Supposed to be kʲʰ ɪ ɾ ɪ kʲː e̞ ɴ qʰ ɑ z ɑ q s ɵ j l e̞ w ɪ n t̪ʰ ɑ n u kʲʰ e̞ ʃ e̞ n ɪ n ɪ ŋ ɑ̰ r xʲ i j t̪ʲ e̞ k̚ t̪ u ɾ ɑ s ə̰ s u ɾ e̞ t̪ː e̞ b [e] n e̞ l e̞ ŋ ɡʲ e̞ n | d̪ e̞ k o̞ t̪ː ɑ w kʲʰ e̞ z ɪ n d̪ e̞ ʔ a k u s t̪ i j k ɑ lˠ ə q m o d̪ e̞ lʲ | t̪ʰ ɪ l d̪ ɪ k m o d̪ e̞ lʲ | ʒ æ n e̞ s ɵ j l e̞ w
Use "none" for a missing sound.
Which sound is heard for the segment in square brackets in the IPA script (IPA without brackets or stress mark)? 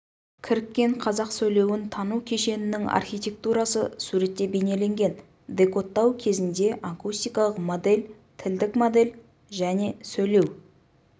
e